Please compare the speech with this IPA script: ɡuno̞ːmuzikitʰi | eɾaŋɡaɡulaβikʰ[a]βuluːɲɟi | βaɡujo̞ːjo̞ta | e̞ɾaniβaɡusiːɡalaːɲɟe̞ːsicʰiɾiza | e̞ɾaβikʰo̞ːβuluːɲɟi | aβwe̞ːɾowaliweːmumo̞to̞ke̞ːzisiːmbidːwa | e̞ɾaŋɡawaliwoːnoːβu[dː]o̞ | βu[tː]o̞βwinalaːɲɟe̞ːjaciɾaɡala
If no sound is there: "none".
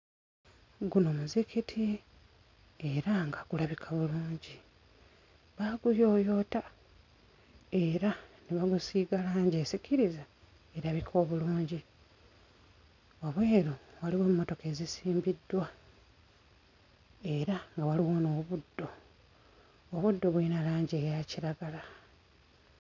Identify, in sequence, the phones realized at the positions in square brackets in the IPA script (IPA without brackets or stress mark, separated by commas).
a, dː, dː